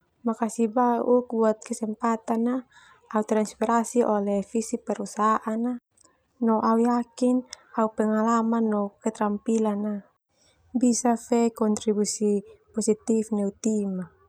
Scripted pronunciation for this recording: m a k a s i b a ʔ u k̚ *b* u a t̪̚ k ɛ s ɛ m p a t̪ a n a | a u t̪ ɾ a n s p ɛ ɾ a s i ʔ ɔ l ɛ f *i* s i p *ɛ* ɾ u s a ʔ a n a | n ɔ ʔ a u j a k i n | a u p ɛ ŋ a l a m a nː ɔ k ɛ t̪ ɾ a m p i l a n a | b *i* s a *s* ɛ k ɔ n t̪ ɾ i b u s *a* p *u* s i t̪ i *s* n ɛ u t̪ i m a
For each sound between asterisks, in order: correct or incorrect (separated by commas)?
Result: correct, correct, correct, correct, incorrect, incorrect, incorrect, incorrect